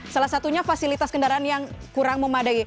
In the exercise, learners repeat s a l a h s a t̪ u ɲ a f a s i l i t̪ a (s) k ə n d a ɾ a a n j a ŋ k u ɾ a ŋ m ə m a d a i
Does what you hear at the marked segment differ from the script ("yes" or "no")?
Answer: no